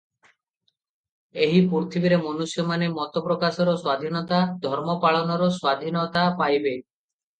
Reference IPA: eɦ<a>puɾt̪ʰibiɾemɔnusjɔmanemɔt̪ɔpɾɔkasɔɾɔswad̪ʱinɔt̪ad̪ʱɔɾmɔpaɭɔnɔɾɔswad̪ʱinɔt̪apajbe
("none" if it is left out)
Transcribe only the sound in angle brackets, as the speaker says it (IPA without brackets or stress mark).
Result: i